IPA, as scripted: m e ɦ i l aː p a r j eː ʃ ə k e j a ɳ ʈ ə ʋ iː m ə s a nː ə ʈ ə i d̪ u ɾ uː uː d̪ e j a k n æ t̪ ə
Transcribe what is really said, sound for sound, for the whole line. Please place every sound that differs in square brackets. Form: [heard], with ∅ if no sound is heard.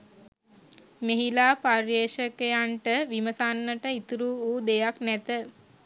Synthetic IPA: m e ɦ i l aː p a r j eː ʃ ə k e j a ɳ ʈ ə ʋ [i] m ə s a nː ə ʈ ə i [t̪] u ɾ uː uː d̪ e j a k n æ t̪ ə